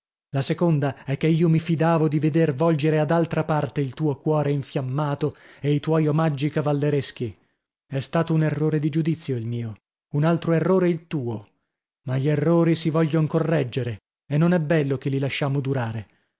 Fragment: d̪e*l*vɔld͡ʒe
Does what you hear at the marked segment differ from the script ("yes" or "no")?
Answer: yes